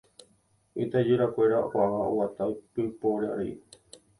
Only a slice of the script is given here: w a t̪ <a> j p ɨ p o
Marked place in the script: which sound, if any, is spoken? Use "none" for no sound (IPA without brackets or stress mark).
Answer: a